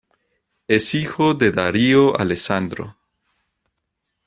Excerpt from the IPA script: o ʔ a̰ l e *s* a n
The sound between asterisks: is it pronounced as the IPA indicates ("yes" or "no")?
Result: yes